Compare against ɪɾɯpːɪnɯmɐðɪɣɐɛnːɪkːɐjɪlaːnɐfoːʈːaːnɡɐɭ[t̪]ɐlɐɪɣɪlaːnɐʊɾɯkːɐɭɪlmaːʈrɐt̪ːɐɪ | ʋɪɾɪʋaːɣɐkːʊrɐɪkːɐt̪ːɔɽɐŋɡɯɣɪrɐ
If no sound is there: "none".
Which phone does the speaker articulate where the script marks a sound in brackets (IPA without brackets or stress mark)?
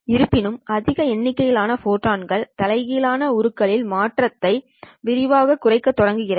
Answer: t̪